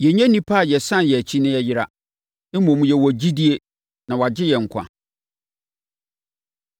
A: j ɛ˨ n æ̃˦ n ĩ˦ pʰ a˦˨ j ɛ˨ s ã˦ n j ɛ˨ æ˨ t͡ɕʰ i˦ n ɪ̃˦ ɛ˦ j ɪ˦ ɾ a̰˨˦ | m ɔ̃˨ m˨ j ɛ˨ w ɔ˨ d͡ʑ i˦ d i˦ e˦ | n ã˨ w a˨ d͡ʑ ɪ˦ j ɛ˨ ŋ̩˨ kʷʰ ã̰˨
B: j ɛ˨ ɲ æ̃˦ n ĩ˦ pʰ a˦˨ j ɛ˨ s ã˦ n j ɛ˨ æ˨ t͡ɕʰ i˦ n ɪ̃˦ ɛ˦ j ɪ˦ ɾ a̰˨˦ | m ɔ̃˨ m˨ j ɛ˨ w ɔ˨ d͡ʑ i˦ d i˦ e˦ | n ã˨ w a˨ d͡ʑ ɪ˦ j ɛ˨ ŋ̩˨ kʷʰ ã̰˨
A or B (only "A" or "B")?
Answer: B